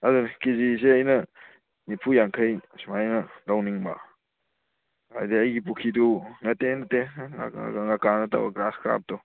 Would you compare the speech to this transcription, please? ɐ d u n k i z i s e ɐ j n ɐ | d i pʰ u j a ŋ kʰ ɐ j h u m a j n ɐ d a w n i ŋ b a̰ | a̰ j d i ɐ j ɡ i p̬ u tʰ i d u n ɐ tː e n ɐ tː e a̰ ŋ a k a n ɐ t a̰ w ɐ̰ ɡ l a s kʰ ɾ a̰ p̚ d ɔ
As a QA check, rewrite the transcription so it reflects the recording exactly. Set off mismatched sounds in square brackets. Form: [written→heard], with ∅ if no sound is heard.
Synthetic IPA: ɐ d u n k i z i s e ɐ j n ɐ | [d→n] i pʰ u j a ŋ kʰ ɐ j [h→s] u m a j n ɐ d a w n i ŋ b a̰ | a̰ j d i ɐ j ɡ i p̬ u [tʰ→kʰ] i d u n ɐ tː e n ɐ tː e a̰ ŋ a k a n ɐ t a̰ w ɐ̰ ɡ [l→ɾ] a s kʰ ɾ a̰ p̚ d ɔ